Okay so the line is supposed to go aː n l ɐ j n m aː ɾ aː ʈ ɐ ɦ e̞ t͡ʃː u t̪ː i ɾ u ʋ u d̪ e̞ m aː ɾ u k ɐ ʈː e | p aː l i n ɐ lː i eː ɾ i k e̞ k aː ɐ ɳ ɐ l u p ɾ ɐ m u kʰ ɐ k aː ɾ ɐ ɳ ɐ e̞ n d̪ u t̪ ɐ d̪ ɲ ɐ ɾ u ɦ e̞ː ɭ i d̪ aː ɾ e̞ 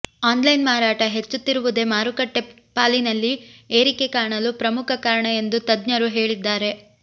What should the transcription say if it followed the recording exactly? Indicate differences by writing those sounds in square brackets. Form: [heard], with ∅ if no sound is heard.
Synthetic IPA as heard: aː n l ɐ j n m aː ɾ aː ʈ ɐ ɦ e̞ t͡ʃː u t̪ː i ɾ u ʋ u d̪ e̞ m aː ɾ u k ɐ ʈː e | p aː l i n ɐ lː i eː ɾ i k e̞ k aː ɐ ɳ ɐ l u p ɾ ɐ m u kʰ ɐ k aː ɾ ɐ ɳ ɐ e̞ n d̪ u t̪ ɐ d̪ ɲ ɐ ɾ u ɦ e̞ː ɭ i [d̪ː] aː ɾ e̞